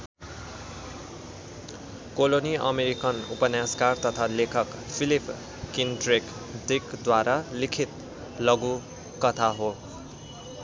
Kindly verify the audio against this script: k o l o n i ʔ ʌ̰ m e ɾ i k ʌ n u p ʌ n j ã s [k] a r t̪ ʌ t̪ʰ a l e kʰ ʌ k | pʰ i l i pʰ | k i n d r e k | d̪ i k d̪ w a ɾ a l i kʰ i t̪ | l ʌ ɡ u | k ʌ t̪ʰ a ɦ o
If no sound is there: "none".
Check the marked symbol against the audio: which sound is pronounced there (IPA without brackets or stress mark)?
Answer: k